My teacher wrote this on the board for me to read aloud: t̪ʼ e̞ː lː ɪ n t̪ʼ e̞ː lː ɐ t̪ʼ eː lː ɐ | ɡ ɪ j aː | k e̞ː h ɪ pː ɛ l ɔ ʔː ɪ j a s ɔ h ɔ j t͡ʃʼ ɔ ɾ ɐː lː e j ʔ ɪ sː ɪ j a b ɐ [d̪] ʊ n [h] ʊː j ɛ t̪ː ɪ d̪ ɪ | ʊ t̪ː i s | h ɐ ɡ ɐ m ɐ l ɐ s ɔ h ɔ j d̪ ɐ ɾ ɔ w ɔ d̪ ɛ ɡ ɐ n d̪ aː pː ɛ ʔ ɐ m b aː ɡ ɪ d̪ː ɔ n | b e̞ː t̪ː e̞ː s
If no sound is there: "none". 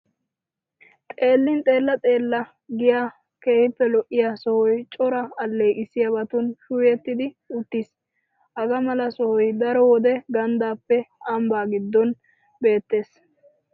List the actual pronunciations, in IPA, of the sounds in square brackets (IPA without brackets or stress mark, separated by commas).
t̪, ʃ